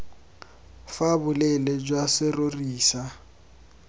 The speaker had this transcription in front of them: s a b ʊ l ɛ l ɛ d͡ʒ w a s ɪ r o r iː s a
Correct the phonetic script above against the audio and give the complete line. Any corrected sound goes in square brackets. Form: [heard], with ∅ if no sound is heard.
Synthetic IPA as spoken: [f] a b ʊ l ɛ l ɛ d͡ʒ w a s ɪ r o r iː s a